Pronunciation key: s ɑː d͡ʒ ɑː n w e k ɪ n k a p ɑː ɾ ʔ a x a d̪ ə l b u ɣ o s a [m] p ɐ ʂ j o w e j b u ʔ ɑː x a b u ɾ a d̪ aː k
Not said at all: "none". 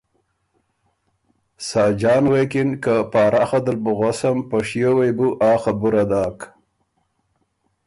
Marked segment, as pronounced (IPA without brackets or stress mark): m